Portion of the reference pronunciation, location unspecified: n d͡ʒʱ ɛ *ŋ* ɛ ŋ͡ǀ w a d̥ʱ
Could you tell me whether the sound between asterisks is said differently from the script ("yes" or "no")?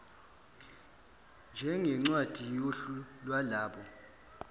no